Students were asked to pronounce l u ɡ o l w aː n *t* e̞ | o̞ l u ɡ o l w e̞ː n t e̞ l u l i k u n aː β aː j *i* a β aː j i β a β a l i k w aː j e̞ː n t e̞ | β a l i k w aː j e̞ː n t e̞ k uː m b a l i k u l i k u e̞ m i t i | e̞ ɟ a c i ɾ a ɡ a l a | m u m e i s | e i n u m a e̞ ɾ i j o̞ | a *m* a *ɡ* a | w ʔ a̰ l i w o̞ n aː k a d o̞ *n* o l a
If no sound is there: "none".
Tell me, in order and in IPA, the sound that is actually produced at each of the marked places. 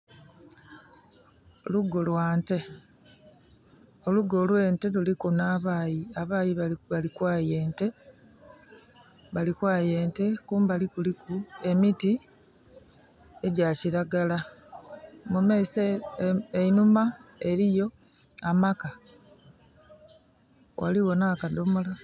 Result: t, i, m, k, m

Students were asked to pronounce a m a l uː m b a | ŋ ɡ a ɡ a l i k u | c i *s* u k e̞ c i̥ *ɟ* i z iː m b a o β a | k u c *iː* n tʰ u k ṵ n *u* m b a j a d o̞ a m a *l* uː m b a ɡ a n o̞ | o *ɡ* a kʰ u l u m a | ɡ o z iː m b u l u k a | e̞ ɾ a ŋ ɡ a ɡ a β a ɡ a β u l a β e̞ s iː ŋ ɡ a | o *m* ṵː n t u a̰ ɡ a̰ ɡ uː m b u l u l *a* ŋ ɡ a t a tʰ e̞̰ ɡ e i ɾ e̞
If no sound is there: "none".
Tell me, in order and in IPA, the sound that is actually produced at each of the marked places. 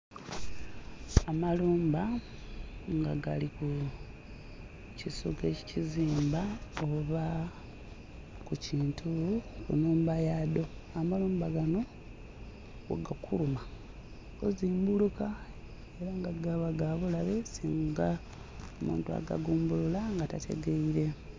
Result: s, c, iː, uː, l, ɡ, m, a

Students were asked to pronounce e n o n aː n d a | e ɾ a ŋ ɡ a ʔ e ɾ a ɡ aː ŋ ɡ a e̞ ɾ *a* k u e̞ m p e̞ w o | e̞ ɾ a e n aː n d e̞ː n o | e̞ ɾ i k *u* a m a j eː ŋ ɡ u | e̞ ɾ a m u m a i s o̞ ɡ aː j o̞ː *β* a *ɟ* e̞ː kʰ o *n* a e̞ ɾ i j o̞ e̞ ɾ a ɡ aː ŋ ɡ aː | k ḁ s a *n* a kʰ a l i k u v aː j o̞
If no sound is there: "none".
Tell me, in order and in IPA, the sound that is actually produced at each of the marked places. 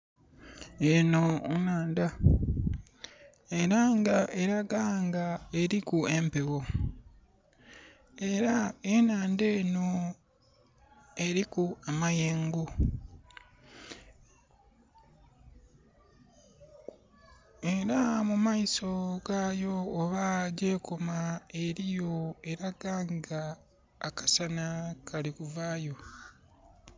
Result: i, u, β, ɟ, m, n

